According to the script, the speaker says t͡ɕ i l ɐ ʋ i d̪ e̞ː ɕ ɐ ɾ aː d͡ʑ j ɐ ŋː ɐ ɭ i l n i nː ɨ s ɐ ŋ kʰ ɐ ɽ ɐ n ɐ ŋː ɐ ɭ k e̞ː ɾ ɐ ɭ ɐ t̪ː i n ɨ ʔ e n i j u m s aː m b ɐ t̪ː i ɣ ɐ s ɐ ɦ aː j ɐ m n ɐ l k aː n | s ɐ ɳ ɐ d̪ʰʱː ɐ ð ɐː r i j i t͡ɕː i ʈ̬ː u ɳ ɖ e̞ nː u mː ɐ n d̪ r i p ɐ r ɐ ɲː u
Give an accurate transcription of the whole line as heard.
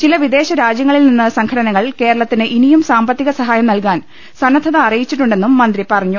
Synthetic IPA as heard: t͡ɕ i l ɐ ʋ i d̪ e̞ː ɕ ɐ ɾ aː d͡ʑ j ɐ ŋː ɐ ɭ i l n i nː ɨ s ɐ ŋ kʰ ɐ ɽ ɐ n ɐ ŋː ɐ ɭ k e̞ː ɾ ɐ ɭ ɐ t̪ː i n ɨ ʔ i n i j u m s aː m b ɐ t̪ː i ɣ ɐ s ɐ ɦ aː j ɐ m n ɐ l k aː n | s ɐ n ɐ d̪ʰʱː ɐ ð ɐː r i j i t͡ɕː i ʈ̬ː u ɳ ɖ e̞ nː u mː ɐ n d̪ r i p ɐ r ɐ ɲː u